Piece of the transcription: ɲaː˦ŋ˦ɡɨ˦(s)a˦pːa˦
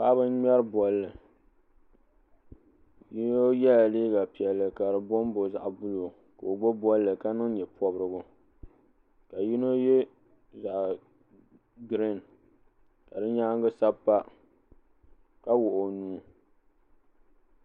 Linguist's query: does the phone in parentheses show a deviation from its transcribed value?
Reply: no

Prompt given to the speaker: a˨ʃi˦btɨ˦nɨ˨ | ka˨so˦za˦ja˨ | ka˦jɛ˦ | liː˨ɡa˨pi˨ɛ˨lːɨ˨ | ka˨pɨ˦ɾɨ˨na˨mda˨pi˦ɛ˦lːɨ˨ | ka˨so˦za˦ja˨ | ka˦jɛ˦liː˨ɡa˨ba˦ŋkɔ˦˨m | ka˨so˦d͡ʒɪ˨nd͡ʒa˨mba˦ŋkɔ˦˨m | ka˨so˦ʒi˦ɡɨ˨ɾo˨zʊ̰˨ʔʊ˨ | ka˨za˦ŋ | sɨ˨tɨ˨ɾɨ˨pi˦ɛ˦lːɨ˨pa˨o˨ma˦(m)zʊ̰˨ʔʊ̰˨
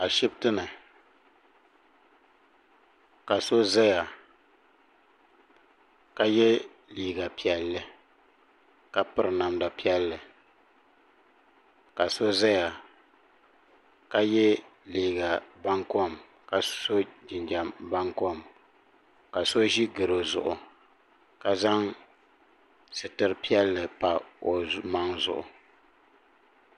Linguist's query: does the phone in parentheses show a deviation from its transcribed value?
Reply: yes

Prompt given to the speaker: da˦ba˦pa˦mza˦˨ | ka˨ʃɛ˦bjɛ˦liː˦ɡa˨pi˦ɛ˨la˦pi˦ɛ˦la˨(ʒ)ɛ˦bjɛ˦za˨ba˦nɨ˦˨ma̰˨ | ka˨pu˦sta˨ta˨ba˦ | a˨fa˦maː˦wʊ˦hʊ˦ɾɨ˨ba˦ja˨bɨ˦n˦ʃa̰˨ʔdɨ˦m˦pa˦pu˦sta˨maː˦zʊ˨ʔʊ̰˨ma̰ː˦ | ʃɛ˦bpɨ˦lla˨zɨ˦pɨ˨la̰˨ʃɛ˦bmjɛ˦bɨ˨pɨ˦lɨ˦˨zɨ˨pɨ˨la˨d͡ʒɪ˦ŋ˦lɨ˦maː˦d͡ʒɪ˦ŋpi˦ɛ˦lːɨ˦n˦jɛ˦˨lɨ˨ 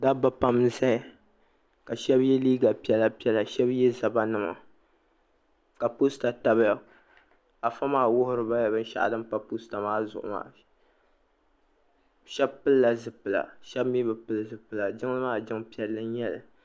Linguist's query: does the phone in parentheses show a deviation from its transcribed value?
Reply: yes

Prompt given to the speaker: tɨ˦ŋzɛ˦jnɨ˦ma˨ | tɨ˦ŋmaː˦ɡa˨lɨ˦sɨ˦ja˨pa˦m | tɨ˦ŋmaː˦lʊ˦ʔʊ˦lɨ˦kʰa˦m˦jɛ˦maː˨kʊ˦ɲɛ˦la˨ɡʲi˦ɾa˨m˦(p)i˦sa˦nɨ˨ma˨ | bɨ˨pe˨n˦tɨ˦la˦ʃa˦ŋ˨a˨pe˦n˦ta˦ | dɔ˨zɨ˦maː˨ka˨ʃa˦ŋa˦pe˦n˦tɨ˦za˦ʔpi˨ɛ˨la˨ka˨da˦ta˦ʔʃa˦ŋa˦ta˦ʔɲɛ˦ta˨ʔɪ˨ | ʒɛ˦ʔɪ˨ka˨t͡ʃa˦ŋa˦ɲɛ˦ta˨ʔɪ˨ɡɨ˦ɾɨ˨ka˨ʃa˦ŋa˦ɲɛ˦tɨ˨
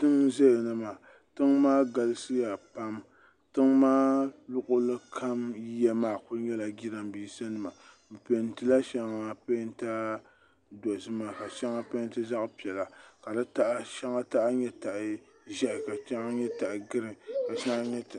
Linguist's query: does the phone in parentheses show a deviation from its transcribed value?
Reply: yes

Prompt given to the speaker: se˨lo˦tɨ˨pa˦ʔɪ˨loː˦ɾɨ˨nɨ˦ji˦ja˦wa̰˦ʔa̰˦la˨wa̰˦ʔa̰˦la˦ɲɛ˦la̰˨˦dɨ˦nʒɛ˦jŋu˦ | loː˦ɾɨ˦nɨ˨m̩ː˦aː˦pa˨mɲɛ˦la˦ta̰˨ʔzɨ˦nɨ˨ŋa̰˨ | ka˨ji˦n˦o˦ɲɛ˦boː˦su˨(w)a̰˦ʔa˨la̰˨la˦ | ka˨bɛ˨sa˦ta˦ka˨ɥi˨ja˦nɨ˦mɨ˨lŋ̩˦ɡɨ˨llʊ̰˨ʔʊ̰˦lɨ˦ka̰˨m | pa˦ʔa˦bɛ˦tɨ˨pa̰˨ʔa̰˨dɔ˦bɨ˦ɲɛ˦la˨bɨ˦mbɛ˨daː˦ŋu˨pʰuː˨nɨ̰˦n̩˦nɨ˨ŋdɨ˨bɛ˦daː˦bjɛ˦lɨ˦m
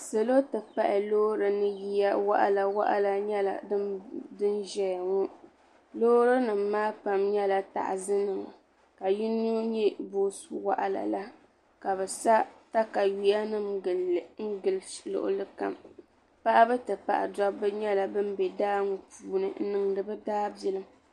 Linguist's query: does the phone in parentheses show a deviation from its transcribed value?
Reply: no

